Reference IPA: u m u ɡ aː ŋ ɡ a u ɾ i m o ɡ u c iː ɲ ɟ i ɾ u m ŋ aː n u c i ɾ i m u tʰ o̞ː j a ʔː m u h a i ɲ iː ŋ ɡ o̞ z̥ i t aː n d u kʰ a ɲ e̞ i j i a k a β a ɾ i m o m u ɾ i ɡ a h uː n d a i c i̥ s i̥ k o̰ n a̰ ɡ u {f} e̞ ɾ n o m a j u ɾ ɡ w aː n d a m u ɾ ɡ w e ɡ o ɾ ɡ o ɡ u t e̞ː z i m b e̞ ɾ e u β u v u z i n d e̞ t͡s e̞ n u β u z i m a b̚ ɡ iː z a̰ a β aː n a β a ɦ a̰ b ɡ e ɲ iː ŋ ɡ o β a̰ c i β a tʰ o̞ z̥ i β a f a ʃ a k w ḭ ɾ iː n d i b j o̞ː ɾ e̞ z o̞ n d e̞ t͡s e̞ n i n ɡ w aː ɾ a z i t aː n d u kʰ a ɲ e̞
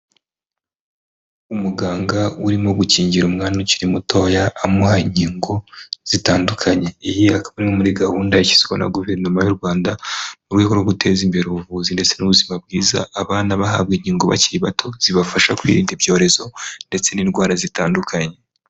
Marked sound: incorrect: v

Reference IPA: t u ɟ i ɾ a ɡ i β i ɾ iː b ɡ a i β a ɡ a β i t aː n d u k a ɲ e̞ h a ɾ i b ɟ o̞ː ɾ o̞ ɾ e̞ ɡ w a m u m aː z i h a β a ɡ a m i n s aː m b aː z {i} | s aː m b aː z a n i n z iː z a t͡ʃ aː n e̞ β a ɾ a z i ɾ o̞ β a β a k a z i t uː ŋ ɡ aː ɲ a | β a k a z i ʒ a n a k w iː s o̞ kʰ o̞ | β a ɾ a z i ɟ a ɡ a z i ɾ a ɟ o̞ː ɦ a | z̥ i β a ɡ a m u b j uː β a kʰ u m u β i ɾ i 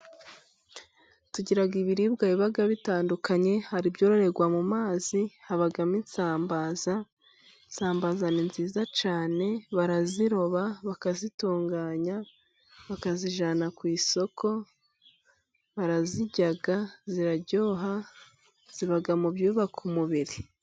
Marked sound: incorrect: a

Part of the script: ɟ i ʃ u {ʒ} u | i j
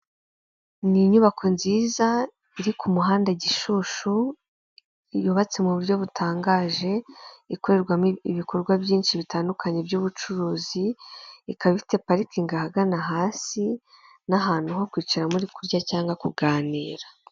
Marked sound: incorrect: ʃ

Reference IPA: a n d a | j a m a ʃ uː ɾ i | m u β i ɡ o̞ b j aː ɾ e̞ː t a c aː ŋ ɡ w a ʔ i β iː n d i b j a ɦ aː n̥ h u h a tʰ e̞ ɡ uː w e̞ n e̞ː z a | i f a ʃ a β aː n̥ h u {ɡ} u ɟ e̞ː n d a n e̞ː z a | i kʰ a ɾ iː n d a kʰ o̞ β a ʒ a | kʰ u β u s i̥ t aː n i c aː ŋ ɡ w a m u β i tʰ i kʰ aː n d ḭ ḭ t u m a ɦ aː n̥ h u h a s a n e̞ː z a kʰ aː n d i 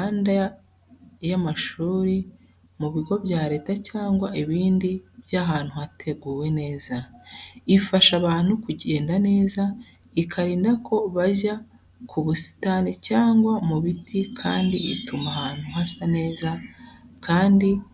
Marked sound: incorrect: k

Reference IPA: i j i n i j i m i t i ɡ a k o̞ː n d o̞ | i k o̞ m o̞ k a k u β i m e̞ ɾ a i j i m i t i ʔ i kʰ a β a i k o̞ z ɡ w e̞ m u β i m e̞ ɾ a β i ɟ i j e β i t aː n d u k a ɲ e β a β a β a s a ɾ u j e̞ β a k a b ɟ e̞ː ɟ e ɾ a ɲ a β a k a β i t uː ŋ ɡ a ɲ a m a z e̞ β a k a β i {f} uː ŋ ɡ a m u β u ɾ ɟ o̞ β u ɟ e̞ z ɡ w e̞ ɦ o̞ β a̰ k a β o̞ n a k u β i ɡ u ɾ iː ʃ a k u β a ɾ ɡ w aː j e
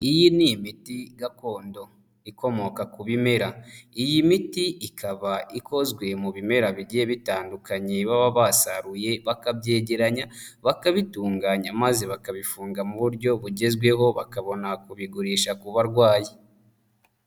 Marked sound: correct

